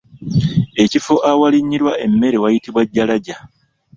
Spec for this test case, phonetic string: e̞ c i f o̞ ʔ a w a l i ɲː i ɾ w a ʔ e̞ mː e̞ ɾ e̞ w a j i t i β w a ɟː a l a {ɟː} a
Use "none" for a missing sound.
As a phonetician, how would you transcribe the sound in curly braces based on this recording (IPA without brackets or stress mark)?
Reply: ɟ